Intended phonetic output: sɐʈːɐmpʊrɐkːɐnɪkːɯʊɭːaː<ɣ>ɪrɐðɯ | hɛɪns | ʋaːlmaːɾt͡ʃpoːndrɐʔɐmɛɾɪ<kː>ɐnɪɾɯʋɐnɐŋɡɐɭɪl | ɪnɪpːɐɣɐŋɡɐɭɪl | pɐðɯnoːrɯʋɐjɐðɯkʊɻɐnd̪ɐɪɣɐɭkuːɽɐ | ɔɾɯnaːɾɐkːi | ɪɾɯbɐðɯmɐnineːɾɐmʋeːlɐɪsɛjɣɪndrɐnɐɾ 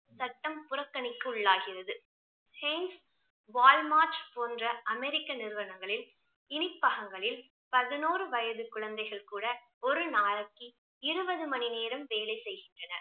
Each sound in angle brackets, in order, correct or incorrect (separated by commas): correct, correct